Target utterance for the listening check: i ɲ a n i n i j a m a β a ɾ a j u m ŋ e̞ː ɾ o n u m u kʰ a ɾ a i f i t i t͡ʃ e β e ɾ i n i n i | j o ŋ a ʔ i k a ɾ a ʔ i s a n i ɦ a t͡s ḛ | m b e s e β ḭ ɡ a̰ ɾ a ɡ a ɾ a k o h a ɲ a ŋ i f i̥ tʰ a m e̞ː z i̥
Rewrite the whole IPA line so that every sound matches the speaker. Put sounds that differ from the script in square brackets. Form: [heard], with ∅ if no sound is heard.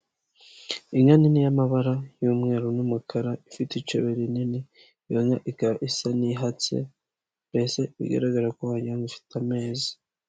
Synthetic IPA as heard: i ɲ a n i n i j a m a β a ɾ a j u m ŋ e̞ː ɾ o n u m u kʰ a ɾ a i f i t i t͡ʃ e β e ɾ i n i n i | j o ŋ a ʔ i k a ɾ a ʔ i s a n i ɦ a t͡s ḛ | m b e s e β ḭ ɡ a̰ ɾ a ɡ a ɾ a k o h a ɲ a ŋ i f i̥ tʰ a m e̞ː z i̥